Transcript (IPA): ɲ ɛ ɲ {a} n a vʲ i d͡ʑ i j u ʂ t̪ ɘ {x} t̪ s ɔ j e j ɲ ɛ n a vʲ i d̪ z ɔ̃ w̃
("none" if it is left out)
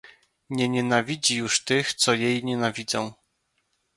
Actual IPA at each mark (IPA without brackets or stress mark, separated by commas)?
ɛ, x